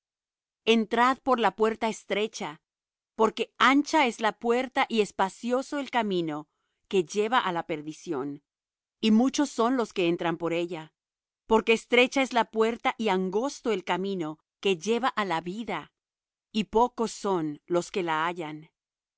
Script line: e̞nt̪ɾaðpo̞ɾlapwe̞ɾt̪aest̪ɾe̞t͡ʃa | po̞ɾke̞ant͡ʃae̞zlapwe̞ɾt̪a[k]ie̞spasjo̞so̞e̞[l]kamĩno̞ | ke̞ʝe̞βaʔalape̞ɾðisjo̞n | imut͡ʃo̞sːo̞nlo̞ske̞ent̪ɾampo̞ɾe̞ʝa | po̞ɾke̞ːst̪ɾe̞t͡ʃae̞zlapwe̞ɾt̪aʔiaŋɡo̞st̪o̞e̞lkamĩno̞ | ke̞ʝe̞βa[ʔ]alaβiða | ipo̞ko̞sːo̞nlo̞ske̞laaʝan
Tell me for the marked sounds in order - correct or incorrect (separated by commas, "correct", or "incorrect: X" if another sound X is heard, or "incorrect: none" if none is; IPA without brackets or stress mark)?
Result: incorrect: ʔ, correct, correct